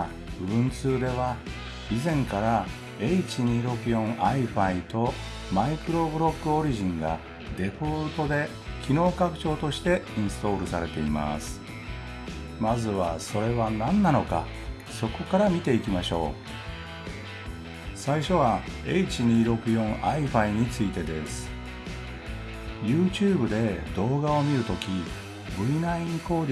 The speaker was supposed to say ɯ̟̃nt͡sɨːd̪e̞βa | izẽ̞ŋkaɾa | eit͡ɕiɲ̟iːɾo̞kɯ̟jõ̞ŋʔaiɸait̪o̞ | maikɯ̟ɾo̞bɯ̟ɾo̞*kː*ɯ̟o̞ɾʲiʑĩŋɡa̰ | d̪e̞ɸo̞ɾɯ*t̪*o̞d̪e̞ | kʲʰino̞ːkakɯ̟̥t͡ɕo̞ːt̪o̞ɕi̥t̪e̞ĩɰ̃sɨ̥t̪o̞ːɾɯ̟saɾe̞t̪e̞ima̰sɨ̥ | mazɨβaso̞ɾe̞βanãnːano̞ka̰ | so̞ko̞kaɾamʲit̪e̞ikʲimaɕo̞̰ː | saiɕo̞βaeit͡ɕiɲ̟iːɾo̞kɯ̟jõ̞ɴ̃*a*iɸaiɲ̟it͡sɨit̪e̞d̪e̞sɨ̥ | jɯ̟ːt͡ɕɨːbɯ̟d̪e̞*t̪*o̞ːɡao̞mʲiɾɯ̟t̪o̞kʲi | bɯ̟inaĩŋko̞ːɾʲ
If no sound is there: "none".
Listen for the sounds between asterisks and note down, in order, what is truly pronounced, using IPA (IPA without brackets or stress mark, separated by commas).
kː, t̪, a, d̪